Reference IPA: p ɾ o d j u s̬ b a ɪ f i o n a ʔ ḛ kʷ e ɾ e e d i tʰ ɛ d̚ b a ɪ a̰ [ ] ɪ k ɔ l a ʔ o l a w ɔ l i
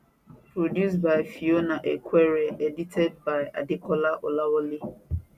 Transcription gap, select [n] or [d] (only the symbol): d